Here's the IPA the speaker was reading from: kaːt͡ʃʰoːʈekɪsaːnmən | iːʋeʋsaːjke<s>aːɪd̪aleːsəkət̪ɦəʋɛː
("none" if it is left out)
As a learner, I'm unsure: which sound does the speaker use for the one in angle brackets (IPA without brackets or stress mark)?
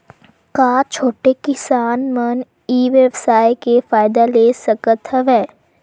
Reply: f